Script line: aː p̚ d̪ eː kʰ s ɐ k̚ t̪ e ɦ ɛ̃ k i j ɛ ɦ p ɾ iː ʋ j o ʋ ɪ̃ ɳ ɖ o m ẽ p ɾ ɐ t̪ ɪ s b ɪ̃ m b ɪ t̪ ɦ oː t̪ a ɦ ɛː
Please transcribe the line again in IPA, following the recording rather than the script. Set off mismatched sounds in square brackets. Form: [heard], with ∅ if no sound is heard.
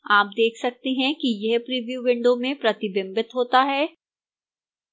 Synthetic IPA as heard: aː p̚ d̪ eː kʰ s ɐ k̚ t̪ e ɦ ɛ̃ k i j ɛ ɦ p ɾ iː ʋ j [u] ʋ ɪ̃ ɳ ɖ o m ẽ p ɾ ɐ t̪ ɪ [∅] b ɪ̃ m b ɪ t̪ ɦ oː t̪ a ɦ ɛː